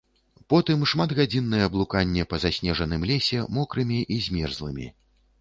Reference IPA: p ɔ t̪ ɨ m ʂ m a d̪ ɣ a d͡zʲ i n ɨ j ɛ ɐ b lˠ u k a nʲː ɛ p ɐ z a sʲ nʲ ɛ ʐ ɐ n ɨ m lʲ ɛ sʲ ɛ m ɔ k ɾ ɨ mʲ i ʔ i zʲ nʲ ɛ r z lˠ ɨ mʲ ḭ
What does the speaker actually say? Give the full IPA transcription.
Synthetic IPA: p ɔ t̪ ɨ m ʂ m a d̪ ɣ a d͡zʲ i nː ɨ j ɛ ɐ b lˠ u k a nʲː ɛ p ɐ z a sʲ nʲ ɛ ʐ ɐ n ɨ m lʲ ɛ sʲ ɛ m ɔ k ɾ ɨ mʲ i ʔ i zʲ mʲ ɛ r z lˠ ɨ mʲ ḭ